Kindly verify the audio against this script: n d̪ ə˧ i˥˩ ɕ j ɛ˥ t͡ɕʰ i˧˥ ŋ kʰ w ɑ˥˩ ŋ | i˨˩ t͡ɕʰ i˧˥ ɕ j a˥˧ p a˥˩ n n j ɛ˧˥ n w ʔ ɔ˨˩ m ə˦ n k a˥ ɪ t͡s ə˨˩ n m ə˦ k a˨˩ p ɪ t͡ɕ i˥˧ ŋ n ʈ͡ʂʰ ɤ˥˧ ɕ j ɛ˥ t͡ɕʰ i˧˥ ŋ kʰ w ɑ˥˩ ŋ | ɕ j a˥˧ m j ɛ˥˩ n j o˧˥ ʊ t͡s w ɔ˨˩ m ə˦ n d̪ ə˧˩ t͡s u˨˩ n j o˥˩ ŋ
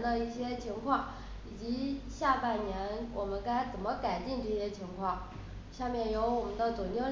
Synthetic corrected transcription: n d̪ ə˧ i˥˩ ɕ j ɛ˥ t͡ɕʰ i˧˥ ŋ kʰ w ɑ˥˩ ŋ | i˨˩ t͡ɕ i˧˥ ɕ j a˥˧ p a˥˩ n n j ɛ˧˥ n w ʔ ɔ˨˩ m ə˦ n k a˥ ɪ t͡s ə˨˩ n m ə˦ k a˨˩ ɪ t͡ɕ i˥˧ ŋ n ʈ͡ʂ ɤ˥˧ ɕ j ɛ˥ t͡ɕʰ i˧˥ ŋ kʰ w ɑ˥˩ ŋ | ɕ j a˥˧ m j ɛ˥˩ n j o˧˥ ʊ w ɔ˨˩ m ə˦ n d̪ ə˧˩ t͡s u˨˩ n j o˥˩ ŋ